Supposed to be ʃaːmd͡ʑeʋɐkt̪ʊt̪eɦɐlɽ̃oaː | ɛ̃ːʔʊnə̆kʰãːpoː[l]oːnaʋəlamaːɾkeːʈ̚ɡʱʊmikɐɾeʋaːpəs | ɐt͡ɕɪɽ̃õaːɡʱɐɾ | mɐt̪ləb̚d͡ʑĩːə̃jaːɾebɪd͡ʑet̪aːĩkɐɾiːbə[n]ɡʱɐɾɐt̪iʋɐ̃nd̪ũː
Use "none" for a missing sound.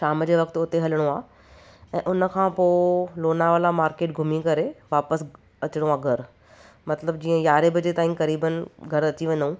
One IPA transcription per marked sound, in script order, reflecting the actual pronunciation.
l, n

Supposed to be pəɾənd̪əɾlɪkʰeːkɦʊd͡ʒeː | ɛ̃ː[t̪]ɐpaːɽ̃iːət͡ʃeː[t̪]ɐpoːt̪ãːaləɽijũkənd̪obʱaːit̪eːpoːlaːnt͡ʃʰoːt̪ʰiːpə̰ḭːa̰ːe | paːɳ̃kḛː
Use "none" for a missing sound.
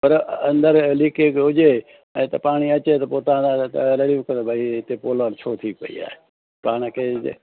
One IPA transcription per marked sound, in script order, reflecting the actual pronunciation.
t̪, t̪

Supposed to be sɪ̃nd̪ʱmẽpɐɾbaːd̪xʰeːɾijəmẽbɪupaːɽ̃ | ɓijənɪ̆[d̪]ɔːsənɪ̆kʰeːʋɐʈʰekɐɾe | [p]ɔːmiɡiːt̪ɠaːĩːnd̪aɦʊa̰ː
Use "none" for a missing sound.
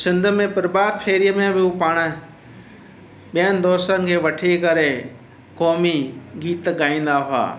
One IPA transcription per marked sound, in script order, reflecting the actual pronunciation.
d̪, k

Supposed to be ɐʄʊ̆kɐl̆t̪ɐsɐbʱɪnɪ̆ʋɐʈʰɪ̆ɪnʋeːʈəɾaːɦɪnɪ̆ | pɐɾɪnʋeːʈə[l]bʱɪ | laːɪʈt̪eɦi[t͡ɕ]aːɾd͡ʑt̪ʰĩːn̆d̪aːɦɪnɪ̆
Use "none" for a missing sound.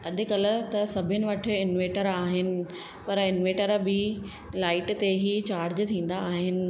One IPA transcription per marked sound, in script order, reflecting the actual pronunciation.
ɾ, t͡ɕ

